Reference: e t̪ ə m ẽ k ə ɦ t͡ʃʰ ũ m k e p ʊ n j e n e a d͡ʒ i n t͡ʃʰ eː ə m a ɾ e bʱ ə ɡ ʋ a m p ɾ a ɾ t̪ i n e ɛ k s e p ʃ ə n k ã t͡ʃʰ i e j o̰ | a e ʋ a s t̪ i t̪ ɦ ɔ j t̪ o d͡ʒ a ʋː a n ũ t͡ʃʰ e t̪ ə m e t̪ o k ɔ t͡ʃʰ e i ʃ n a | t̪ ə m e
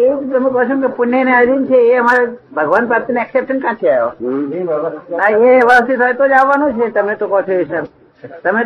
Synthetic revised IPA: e t̪ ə m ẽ k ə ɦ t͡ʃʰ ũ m k e p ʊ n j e n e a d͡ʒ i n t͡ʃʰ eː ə m a ɾ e bʱ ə ɡ ʋ a n p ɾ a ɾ t̪ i n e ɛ k s e p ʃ ə n k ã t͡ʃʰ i a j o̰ | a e ʋ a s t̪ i t̪ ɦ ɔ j t̪ o d͡ʒ a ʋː a n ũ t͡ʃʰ e t̪ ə m e t̪ o k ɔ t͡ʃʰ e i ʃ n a | t̪ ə m e